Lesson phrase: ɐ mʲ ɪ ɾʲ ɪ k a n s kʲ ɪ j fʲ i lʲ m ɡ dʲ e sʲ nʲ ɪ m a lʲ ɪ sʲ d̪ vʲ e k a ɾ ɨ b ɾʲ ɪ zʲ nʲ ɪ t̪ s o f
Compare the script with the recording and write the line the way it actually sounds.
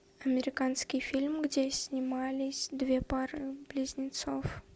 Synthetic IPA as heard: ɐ mʲ ɪ ɾʲ ɪ k a n s kʲ ɪ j fʲ i lʲ m ɡ dʲ e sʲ nʲ ɪ m a lʲ ɪ sʲ d̪ vʲ e p a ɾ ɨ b lʲ ɪ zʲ nʲ ɪ t̪ s o f

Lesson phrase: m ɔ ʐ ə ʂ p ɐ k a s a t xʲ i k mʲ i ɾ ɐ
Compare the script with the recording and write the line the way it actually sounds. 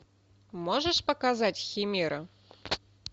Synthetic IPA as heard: m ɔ ʐ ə ʂ p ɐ k a z a t͡sʲ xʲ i mʲ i ɾ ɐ

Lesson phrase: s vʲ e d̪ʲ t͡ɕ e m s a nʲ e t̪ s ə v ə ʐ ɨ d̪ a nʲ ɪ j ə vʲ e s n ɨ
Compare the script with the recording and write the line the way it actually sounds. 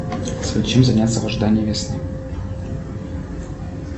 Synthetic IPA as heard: s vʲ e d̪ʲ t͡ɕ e m z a nʲ a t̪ s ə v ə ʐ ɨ d̪ a nʲ ɪ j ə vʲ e s n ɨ

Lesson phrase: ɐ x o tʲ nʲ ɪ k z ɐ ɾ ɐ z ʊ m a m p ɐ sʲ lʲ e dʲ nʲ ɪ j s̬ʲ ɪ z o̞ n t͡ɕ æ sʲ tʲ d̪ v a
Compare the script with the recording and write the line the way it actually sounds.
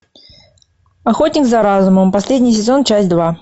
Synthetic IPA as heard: ɐ x o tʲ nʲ ɪ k z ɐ ɾ a z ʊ m ə m p ɐ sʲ lʲ e dʲ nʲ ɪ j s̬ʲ ɪ z o̞ n t͡ɕ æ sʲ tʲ d̪ v a

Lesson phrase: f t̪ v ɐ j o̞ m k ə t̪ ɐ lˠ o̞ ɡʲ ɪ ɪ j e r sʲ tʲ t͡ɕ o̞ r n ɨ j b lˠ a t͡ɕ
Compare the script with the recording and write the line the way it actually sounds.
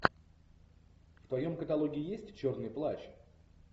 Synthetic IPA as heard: f t̪ v ɐ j o̞ m k ə t̪ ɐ lˠ o̞ ɡʲ ɪ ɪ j e sʲ tʲ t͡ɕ o̞ r n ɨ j p lˠ a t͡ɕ

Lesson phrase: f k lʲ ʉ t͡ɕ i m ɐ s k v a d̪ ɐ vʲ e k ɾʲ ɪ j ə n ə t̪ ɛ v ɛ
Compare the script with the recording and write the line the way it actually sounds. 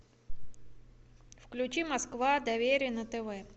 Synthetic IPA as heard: f k lʲ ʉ t͡ɕ i m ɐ s k v a d̪ ɐ vʲ e ɾʲ ɪ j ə n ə t̪ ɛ v ɛ

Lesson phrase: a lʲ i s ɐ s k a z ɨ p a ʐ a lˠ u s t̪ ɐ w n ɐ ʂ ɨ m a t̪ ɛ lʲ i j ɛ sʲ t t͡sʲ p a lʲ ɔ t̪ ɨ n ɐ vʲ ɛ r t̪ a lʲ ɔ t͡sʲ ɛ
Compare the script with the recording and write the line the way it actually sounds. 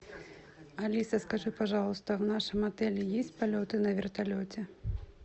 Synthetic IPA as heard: a lʲ i s ɐ s k a ʐ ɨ p a ʐ a lˠ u s t̪ ɐ w n a ʂ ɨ m a t̪ ɛ lʲ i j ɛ sʲ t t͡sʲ p a lʲ ɔ t̪ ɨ n ɐ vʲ ɛ r t̪ a lʲ ɔ t͡sʲ ɛ

